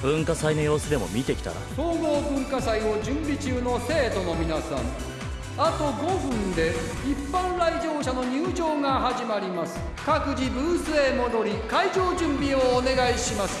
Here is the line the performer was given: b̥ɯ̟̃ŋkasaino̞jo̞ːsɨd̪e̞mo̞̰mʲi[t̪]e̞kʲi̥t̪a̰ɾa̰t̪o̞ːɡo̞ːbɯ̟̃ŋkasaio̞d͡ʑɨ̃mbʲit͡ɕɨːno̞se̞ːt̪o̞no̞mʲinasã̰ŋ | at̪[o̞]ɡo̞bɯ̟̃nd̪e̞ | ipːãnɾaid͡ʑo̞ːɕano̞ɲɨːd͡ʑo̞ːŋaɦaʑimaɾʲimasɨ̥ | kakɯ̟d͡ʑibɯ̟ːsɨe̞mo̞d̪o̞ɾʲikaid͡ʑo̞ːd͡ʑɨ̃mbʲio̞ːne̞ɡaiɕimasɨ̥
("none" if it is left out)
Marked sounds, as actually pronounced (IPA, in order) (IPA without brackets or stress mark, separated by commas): t̪, o̞